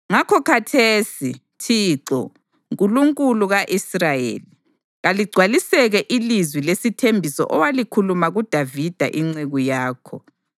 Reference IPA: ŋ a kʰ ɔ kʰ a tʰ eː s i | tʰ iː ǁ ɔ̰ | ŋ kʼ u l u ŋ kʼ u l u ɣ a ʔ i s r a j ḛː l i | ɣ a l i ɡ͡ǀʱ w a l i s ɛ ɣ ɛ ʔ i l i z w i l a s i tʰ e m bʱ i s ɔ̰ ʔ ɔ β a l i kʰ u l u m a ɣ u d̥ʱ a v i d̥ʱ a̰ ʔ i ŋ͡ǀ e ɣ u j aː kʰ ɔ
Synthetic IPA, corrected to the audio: ŋ a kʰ ɔ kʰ a tʰ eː s i | tʰ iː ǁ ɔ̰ | ŋ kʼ u l u ŋ kʼ u l u ɣ a ʔ i s r a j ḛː l i | ɣ a l i ɡ͡ǀʱ w a l i s ɛ ɣ ɛ ʔ i l i z w i l e s i tʰ e m bʱ i s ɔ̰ ʔ ɔ w a l i kʰ u l u m a ɣ u d̥ʱ a v i d̥ʱ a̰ ʔ i ŋ͡ǀ e ɣ u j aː kʰ ɔ